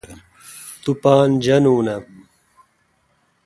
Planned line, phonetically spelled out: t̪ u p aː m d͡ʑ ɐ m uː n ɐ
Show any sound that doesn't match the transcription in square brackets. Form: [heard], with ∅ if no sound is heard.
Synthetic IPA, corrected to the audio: t̪ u p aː [n] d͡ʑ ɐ [n] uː n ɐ